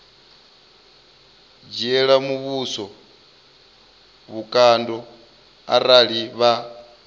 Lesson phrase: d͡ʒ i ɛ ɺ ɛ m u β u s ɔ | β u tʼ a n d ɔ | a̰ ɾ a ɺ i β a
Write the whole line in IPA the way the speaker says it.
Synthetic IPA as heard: d͡ʒ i ɛ ɺ a m u β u s ɔ | β u kʼ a n d ɔ | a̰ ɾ a ɺ i β a